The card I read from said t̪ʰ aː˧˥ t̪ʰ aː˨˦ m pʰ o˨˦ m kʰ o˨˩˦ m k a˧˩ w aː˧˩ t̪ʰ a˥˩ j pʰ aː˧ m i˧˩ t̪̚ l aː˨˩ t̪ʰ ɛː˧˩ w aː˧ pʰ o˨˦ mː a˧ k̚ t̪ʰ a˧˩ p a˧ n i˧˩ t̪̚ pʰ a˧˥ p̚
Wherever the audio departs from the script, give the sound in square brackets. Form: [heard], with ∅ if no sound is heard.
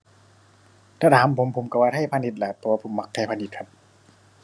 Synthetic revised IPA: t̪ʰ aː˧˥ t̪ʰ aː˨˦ m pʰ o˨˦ m [pʰ] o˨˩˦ m k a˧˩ w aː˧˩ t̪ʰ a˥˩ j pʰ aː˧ [n] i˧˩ t̪̚ l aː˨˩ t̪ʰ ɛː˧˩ w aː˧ pʰ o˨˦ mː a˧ k̚ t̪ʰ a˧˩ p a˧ n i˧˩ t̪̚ [kʰ] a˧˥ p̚

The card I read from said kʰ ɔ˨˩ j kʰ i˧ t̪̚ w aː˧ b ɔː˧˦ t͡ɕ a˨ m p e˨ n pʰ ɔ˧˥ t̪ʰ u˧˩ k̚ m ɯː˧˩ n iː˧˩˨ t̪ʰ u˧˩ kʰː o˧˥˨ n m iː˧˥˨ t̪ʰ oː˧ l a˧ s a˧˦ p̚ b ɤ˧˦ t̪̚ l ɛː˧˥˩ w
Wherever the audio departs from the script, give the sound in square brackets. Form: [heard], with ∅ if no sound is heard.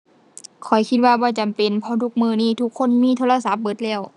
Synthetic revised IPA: kʰ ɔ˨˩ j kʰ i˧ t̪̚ w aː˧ b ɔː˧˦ t͡ɕ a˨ m p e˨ n pʰ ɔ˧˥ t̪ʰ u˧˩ k̚ m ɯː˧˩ n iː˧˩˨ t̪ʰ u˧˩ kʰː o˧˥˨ n m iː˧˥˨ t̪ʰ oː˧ l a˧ s a˧˦ p̚ b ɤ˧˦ t̪̚ l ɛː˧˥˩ w

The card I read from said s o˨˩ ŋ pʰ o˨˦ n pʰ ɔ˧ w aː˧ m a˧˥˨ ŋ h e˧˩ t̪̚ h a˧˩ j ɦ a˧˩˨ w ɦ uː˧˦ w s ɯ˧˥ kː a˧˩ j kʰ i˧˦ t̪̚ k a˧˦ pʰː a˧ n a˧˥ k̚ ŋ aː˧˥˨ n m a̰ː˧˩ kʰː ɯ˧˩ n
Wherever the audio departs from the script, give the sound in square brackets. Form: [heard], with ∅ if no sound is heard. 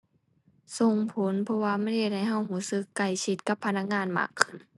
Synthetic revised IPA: s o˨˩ ŋ pʰ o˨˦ n pʰ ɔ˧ w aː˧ m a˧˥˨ [n] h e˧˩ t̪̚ h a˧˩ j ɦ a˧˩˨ w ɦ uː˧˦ [∅] s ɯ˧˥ kː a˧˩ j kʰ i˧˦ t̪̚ k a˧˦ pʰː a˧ n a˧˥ k̚ ŋ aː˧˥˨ n m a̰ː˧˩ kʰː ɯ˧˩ n

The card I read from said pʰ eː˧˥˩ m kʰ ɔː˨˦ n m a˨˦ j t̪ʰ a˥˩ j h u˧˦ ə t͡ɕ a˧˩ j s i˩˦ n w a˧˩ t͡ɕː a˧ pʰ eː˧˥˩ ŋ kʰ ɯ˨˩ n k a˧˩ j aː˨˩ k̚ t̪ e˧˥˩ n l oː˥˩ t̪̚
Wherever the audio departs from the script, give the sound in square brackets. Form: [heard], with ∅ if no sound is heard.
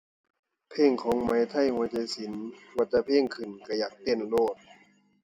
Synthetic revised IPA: pʰ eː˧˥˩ [ŋ] kʰ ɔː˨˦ [ŋ] m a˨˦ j t̪ʰ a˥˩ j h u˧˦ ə t͡ɕ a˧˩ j s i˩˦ n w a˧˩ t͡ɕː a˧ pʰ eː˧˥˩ ŋ kʰ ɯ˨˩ n k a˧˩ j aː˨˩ k̚ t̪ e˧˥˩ n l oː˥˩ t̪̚

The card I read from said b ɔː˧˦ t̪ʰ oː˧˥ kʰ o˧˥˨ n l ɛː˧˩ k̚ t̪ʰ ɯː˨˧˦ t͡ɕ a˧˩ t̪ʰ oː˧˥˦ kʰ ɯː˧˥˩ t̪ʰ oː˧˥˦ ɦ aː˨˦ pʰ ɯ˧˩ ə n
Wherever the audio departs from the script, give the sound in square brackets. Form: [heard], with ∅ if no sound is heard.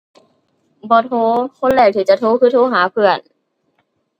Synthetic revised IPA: b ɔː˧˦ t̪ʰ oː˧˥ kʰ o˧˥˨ n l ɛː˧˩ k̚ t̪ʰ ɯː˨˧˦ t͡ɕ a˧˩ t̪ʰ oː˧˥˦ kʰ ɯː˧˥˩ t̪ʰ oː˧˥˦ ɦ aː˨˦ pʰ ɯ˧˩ ə n

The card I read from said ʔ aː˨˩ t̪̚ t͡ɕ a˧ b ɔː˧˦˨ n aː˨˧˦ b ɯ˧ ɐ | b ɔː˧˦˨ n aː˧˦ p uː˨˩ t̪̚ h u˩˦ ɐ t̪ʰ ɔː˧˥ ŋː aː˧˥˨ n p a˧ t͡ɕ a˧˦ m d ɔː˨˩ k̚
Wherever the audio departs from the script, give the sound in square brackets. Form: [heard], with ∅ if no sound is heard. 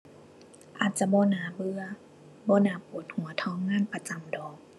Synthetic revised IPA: ʔ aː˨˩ t̪̚ t͡ɕ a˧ b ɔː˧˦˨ n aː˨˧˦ b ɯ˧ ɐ | b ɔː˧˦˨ n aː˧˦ p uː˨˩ t̪̚ h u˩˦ ɐ t̪ʰ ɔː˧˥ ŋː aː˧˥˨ n p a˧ t͡ɕ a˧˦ m d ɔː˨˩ k̚

